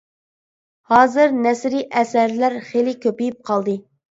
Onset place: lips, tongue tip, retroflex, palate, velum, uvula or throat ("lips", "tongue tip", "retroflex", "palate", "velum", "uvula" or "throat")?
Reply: throat